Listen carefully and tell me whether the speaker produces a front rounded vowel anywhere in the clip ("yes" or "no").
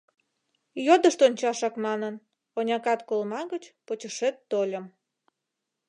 no